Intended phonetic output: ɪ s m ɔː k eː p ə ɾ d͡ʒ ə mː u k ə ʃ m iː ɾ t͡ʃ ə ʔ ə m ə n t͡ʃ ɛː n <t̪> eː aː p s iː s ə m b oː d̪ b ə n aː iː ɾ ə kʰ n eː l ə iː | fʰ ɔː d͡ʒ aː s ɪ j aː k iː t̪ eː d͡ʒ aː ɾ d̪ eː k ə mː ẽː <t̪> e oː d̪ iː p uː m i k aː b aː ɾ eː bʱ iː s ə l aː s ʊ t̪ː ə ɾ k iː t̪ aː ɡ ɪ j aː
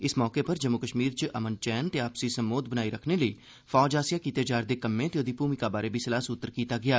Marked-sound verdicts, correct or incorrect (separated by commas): correct, correct